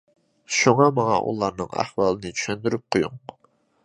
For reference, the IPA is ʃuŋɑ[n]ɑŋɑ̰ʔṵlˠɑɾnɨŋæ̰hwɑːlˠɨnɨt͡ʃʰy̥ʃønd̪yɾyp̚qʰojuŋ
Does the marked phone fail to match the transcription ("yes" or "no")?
yes